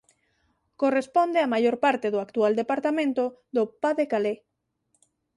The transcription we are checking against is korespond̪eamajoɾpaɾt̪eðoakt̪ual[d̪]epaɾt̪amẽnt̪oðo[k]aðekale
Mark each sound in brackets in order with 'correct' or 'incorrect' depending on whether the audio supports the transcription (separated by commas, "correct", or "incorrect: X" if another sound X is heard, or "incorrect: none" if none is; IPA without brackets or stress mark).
correct, incorrect: p